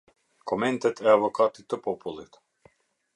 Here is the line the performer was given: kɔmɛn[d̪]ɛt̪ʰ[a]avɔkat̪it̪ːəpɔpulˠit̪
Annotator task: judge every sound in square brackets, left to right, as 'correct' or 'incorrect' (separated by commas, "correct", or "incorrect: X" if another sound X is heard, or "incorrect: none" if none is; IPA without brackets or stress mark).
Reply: incorrect: t̪, incorrect: ɛ